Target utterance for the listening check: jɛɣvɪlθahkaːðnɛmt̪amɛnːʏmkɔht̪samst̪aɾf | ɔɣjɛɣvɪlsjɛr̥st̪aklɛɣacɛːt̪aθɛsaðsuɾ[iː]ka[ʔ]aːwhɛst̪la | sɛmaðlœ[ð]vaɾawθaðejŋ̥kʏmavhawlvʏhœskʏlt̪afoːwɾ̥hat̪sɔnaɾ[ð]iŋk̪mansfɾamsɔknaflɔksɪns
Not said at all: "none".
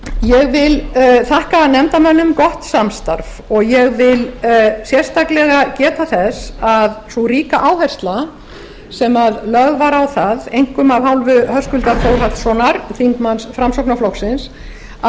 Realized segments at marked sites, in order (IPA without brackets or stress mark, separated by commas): iː, ʔ, ɣ, θ